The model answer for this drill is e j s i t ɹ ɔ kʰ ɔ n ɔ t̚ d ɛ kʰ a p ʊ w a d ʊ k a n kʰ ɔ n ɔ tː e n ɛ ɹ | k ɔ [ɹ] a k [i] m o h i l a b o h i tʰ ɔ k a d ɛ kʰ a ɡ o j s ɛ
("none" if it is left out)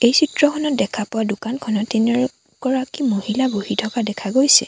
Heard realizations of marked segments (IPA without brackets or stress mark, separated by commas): ɹ, i